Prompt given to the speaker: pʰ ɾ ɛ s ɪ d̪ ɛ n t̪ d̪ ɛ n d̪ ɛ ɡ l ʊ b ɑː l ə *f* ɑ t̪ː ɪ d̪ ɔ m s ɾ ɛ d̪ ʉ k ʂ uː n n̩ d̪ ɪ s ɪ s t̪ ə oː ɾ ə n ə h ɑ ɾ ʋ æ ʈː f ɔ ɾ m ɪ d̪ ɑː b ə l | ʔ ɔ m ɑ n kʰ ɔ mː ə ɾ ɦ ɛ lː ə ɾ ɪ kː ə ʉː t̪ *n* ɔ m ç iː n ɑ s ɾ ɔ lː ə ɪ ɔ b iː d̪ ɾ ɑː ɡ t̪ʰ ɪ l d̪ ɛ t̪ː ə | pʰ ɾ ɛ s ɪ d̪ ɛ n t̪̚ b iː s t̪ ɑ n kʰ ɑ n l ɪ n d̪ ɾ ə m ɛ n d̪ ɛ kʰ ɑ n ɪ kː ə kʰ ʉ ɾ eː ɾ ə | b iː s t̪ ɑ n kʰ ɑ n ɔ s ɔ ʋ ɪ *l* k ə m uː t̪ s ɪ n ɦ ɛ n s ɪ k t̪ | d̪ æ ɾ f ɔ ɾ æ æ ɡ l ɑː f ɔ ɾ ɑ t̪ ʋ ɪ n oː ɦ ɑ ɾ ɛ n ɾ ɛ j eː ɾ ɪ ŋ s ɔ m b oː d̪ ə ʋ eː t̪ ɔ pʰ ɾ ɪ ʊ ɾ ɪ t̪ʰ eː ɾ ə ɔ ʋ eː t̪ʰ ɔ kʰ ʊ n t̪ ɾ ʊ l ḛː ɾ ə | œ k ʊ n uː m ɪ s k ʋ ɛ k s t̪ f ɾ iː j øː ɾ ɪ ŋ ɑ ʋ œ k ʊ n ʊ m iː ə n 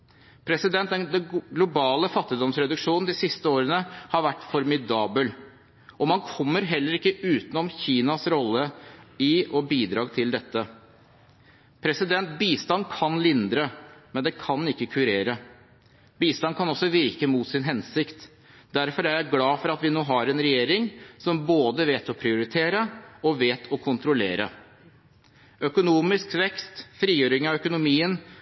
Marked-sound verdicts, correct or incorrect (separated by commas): correct, correct, incorrect